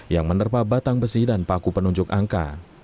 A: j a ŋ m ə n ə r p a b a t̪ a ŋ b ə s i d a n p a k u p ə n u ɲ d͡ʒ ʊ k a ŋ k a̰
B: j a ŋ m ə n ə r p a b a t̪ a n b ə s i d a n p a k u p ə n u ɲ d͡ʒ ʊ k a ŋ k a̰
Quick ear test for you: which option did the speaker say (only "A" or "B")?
A